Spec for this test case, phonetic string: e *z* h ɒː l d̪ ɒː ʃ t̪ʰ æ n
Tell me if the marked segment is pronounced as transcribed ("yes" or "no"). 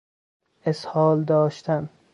no